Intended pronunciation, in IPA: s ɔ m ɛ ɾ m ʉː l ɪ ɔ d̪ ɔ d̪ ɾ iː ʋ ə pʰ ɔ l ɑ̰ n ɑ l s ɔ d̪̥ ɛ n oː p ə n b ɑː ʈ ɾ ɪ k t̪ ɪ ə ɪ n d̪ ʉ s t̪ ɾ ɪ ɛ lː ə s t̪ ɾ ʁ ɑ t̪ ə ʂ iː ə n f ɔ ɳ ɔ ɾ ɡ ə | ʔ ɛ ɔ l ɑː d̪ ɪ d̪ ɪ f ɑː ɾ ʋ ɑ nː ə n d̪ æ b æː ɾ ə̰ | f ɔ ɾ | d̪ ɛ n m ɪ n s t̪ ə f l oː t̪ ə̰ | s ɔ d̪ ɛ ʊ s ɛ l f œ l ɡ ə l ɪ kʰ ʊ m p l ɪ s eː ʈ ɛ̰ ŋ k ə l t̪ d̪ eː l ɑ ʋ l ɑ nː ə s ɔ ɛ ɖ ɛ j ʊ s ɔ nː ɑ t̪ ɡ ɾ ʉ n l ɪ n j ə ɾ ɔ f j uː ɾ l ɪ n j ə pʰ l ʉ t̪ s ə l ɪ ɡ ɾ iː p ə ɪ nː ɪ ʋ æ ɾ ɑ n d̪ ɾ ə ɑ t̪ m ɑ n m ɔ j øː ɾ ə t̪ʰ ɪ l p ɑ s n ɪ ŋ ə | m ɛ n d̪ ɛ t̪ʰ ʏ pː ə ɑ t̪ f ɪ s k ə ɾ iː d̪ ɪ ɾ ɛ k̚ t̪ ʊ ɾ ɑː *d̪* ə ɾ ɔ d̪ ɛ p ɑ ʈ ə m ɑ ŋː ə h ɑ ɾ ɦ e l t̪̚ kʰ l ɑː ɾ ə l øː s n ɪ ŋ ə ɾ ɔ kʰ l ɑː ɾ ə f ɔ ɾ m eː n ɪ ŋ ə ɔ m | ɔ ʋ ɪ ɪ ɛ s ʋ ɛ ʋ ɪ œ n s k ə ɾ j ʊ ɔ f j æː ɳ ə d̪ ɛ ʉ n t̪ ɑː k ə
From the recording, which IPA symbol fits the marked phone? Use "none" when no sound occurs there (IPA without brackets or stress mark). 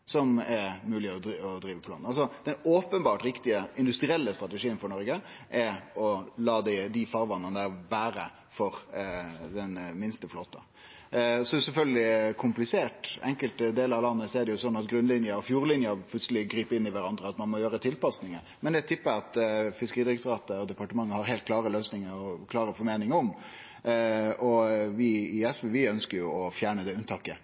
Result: t̪